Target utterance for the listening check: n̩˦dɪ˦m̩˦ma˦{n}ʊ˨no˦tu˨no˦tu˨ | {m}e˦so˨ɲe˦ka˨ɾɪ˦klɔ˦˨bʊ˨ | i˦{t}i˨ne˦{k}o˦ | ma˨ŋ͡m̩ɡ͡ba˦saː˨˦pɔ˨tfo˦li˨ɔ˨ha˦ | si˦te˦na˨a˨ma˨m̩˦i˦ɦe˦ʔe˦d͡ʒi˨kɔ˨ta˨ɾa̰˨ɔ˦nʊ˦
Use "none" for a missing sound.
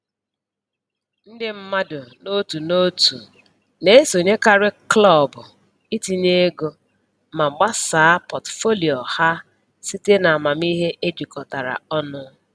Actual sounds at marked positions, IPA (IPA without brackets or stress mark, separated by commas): d, n, t, ɡ